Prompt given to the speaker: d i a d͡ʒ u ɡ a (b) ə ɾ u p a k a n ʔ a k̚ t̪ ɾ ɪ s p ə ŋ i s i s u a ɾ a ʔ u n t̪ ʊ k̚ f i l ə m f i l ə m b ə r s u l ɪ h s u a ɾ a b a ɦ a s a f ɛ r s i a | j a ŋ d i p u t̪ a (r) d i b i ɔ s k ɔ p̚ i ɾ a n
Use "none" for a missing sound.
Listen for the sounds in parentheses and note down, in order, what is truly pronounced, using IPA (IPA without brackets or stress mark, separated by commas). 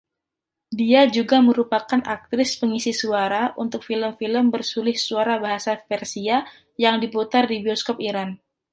m, r